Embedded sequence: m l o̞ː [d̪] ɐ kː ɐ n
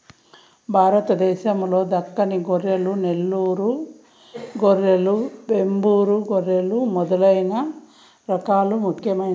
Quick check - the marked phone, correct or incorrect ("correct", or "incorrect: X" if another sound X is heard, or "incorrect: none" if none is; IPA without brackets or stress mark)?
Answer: correct